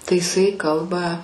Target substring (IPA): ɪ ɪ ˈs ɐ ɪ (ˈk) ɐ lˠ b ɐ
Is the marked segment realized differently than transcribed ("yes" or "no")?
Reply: no